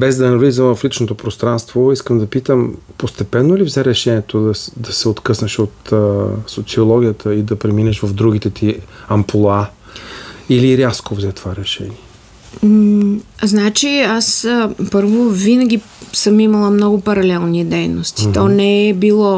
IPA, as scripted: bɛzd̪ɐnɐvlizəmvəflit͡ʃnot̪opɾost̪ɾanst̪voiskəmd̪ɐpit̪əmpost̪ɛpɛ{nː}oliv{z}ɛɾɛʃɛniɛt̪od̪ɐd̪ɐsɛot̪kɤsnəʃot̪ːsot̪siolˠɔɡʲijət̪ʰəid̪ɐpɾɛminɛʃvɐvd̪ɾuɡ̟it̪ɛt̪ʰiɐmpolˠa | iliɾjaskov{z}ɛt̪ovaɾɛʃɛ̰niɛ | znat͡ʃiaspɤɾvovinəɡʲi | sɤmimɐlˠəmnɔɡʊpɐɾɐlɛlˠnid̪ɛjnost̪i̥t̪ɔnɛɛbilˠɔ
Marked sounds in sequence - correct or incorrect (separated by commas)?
correct, correct, correct